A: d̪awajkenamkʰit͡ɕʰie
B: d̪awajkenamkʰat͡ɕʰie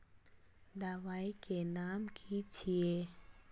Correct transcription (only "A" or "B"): A